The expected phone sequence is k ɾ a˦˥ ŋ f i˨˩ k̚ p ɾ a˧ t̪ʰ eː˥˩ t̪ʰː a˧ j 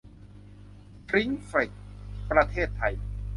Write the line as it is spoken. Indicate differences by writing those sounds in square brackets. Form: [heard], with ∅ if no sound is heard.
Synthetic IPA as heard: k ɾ [i˦˥] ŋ f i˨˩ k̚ p ɾ a˧ t̪ʰ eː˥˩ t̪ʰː a˧ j